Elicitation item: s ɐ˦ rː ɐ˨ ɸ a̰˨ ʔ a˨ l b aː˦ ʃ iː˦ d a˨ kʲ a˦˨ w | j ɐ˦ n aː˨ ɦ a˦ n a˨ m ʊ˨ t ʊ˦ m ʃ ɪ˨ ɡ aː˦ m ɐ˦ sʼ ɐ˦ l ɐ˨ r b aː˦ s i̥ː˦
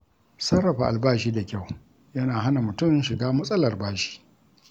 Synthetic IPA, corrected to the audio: s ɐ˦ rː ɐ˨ ɸ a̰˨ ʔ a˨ l b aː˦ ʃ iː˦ d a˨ kʲ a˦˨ w | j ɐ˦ n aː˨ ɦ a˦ n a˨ m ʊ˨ t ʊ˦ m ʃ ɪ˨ ɡ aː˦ m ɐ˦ sʼ ɐ˦ l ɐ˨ r b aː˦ ʃ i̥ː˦